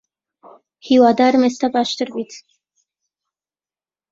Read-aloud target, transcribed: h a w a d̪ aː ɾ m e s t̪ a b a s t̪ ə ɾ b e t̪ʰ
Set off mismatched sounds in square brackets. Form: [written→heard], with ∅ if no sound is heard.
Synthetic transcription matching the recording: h [a→i] w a d̪ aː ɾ m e s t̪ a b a [s→ʃ] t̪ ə ɾ b [e→i] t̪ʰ